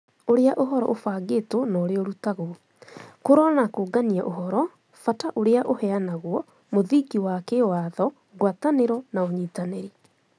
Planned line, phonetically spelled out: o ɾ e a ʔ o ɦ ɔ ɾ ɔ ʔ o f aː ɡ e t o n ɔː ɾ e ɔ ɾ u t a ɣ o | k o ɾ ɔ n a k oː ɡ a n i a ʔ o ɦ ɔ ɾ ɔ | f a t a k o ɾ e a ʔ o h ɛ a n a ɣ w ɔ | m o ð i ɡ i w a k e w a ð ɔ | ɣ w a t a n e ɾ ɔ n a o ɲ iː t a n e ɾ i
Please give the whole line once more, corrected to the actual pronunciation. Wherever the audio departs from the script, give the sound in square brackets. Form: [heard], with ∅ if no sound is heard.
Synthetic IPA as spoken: o ɾ e a ʔ o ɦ ɔ ɾ ɔ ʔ o f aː ɡ e t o n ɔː ɾ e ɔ ɾ u t a ɣ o | k o ɾ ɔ n a k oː ɡ a n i a ʔ o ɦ ɔ ɾ ɔ | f a t a [ʔ] o ɾ e a ʔ o h ɛ a n a ɣ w ɔ | m o ð i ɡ i w a k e w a ð ɔ | ɣ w a t a n e ɾ ɔ n a o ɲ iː t a n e ɾ i

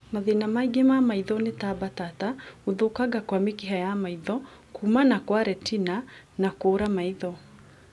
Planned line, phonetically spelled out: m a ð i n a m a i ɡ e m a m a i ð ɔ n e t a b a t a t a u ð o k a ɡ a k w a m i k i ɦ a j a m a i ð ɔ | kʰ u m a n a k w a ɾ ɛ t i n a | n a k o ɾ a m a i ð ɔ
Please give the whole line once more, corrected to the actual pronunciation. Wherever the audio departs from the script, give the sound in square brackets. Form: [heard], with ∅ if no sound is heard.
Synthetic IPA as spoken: m a ð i n a m a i ɡ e m a m a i ð ɔ n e t a b a t a t a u ð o k a ɡ a k w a m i k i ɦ a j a m a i ð ɔ | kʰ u m a n a k w a ɾ ɛ t i n a | n a k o ɾ a m a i ð ɔ

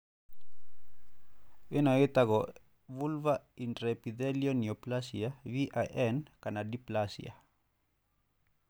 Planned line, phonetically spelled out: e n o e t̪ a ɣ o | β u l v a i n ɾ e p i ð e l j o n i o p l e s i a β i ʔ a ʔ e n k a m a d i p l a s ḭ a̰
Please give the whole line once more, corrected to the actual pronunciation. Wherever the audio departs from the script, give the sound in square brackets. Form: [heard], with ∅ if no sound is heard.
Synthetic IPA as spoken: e n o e t̪ a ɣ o | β u l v a i n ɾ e p i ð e l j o n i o p l [a] s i a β i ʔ a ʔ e n k a [n] a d i p l a s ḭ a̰

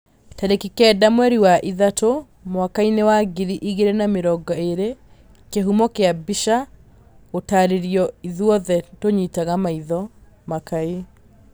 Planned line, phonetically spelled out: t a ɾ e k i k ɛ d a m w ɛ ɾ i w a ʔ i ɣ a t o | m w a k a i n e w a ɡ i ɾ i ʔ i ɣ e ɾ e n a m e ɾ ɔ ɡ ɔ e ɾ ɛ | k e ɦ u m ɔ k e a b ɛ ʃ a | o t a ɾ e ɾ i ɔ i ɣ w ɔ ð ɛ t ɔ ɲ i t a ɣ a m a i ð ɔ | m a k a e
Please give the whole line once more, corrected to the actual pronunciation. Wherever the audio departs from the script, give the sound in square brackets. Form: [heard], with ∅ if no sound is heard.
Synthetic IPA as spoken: t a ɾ e k i k ɛ d a m w ɛ ɾ i w a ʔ i [ð] a t o | m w a k a i n e w a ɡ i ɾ i ʔ i ɣ e ɾ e n a m e ɾ ɔ ɡ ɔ e ɾ [e] | k e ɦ u m ɔ k e a b [i] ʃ a | o t a ɾ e ɾ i ɔ i [ð] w ɔ ð ɛ t [o] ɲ i t a ɣ a m a i ð ɔ | m a k a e

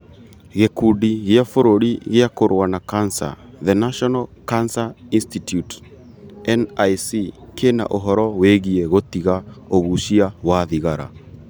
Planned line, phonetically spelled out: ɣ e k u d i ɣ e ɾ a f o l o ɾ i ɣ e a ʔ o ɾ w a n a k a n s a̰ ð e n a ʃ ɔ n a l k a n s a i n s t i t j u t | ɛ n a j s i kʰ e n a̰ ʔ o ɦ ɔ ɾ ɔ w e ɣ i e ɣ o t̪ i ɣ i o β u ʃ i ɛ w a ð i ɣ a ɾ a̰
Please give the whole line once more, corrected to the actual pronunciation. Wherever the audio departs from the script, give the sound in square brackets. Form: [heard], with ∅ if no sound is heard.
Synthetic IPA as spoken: ɣ e k u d i ɣ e [∅] a f o [ɾ] o ɾ i ɣ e a [k] o ɾ w a n a k a n s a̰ ð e n a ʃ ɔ n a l k a n s a i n s t i t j u t | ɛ n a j s i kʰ e n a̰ ʔ o ɦ ɔ ɾ ɔ w e ɣ i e ɣ o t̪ i ɣ [a] o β u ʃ i [a] w a ð i ɣ a ɾ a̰

